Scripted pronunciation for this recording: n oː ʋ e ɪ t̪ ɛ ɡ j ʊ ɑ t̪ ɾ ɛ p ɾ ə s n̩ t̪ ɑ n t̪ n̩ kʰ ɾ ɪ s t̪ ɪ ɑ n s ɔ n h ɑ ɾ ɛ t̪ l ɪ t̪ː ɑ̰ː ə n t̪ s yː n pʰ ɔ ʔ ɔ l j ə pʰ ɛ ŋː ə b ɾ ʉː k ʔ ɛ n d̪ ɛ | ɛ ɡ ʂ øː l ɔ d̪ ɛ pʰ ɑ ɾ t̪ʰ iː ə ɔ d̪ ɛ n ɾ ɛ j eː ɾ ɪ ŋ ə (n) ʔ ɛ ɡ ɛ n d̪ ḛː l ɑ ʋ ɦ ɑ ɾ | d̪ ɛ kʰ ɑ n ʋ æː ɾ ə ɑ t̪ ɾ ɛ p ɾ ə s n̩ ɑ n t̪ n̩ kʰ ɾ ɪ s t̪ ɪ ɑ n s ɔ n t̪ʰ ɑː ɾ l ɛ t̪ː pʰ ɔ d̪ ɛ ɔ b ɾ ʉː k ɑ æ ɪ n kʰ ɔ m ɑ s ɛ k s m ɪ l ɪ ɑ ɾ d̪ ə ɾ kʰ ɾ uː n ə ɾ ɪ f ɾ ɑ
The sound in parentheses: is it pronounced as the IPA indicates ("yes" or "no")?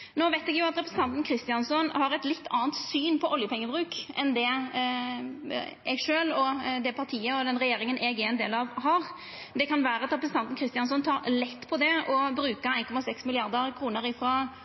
yes